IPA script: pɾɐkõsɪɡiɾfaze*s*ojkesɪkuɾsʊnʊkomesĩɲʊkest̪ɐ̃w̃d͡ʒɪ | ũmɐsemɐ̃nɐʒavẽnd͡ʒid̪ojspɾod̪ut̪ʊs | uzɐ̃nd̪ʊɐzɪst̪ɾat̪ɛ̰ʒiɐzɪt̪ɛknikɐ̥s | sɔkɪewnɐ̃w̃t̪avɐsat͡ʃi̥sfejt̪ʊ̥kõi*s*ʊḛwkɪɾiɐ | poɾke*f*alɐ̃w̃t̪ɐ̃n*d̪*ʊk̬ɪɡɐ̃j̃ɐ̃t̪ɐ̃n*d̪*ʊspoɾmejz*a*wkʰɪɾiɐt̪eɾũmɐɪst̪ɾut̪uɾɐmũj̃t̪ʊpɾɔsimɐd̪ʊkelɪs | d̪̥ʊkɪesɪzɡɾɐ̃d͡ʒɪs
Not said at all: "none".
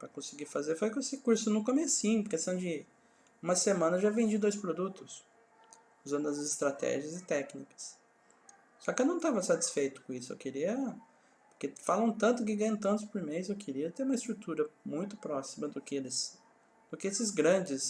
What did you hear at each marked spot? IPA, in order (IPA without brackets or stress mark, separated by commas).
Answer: f, s, f, t̪, t̪, e